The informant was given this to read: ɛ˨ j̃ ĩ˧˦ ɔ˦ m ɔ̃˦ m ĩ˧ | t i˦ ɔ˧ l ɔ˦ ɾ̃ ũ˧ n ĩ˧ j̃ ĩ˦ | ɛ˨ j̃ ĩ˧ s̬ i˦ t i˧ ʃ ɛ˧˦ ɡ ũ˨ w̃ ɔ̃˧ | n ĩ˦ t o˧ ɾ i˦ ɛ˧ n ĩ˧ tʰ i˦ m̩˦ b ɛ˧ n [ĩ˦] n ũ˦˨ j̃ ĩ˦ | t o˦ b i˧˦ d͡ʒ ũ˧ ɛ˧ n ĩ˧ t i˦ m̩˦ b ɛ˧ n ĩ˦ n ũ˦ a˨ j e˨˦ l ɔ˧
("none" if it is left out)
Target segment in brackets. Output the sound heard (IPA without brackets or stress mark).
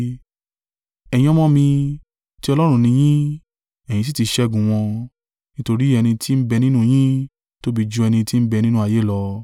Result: ĩ˦